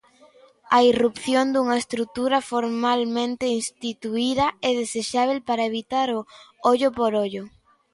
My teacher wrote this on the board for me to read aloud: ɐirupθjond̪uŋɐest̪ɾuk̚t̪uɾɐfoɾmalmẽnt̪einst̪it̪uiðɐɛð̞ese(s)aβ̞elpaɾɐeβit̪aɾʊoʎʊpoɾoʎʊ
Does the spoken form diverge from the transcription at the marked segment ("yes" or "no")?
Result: yes